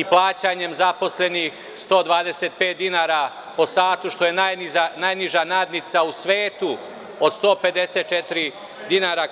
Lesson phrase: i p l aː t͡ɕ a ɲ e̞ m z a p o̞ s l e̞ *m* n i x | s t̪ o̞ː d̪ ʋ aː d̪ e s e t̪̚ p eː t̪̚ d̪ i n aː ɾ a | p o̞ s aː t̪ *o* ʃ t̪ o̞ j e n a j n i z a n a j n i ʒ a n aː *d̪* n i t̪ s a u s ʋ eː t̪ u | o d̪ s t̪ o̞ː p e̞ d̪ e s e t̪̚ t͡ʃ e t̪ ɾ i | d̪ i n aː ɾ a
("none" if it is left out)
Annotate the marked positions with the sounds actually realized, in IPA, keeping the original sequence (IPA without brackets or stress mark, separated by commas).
none, u, d̪